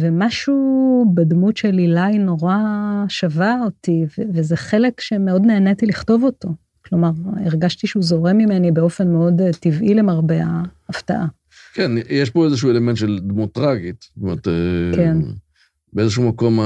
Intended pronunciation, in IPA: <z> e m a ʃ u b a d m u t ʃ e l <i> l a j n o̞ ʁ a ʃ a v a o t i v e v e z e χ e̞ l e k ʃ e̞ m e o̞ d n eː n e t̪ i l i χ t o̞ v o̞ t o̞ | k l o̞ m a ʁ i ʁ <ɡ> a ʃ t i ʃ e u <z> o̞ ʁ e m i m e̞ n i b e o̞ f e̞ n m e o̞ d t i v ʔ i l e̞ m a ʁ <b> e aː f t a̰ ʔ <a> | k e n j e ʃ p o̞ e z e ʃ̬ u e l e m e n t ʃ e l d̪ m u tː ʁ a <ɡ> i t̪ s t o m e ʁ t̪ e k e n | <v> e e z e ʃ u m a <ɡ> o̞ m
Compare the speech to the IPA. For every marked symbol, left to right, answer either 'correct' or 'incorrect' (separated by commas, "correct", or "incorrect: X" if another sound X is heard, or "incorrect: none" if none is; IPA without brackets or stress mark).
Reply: incorrect: v, correct, correct, correct, correct, correct, correct, incorrect: b, incorrect: k